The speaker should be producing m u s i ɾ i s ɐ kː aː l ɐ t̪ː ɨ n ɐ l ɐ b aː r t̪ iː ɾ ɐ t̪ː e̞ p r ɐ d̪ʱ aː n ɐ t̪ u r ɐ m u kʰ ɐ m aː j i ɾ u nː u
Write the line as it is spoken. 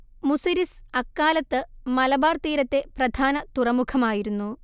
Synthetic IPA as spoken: m u s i ɾ i s ɐ kː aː l ɐ t̪ː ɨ m ɐ l ɐ b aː r t̪ iː ɾ ɐ t̪ː e̞ p r ɐ d̪ʱ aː n ɐ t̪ u r ɐ m u kʰ ɐ m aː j i ɾ u nː u

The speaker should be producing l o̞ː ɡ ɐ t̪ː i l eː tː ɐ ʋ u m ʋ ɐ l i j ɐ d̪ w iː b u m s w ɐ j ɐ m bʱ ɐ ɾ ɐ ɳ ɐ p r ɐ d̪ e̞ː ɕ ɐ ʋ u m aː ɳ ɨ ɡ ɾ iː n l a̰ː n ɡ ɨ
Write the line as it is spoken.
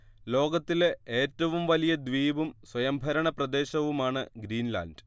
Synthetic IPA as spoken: l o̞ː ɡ ɐ t̪ː i l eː tː ɐ ʋ u m ʋ ɐ l i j ɐ d̪ ʋ iː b u m s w ɐ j ɐ m bʱ ɐ ɾ ɐ ɳ ɐ p r ɐ d̪ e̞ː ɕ ɐ ʋ u m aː ɳ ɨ ɡ ɾ iː n l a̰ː n d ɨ

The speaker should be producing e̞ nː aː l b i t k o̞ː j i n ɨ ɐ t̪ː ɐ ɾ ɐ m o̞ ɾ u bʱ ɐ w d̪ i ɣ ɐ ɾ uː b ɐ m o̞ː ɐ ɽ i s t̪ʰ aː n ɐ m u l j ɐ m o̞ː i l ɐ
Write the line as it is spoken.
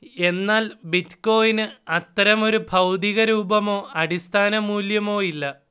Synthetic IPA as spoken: e̞ nː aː l b i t k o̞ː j i n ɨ ɐ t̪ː ɐ ɾ ɐ m o̞ ɾ u bʱ ɐ w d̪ i ɣ ɐ ɾ uː b ɐ m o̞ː ɐ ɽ i s t̪ʰ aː n ɐ m uː l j ɐ m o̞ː i lː ɐ

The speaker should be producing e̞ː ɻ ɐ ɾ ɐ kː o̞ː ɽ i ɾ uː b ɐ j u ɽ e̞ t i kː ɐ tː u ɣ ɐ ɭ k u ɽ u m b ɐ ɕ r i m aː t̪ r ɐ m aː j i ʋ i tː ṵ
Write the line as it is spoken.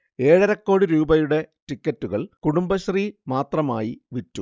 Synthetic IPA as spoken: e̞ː ɻ ɐ ɾ ɐ kː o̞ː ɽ i ɾ uː b ɐ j u ɽ e̞ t i kː ɐ tː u ɣ ɐ ɭ k u ɽ u m b ɐ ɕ r i m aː t̪ r ɐ m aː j i ʋ i tː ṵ

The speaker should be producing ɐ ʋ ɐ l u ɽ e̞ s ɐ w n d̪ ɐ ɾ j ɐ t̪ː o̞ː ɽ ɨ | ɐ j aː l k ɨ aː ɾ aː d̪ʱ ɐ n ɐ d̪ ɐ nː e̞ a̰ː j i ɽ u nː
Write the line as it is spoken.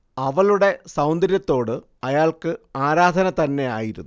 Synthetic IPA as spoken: ɐ ʋ ɐ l u ɽ e̞ s ɐ w n d̪ ɐ ɾ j ɐ t̪ː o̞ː ɽ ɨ | ɐ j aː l k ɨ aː ɾ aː d̪ʱ ɐ n ɐ t̪ ɐ nː e̞ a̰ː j i ɾ u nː

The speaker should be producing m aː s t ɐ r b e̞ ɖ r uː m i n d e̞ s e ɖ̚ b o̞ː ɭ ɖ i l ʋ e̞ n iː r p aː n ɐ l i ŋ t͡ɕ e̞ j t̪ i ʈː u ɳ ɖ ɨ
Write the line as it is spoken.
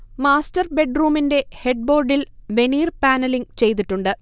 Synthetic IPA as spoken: m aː s t ɐ r b e̞ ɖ r uː m i n d e̞ h e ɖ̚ b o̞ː r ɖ i l ʋ e̞ n iː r p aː n ɐ l i ŋ t͡ɕ e̞ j t̪ i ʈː u ɳ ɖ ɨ

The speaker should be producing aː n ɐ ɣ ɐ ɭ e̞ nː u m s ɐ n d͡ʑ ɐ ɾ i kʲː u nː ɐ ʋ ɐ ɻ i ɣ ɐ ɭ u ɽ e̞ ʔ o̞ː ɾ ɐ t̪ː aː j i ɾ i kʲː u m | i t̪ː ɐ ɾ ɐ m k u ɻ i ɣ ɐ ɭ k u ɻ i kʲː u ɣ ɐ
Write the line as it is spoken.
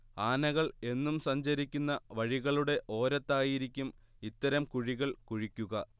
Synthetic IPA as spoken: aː n ɐ ɣ ɐ ɭ e̞ nː u m s ɐ ɲ d͡ʑ ɐ ɾ i kʲː u nː ɐ ʋ ɐ ɻ i ɣ ɐ ɭ u ɽ e̞ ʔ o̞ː ɾ ɐ t̪ː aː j i ɾ i kʲː u m | i t̪ː ɐ ɾ ɐ m k u ɻ i ɣ ɐ ɭ k u ɻ i kʲː u ɣ ɐ

